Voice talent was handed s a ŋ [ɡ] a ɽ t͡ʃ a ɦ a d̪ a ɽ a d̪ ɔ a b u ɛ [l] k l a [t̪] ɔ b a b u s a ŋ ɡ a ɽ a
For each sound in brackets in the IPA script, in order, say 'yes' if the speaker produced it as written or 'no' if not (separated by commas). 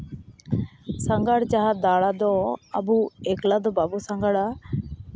yes, no, no